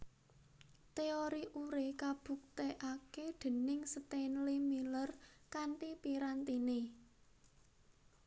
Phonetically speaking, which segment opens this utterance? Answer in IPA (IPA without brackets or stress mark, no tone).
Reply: t̪